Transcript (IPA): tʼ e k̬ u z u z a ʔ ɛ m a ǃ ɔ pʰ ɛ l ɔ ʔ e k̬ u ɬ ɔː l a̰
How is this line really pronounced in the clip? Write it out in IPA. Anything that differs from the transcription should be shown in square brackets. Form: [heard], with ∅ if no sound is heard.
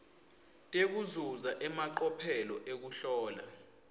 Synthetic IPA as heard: tʼ e k̬ u z u z a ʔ ɛ m a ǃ ɔ pʰ ɛ l ɔ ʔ e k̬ u ɬ ɔː l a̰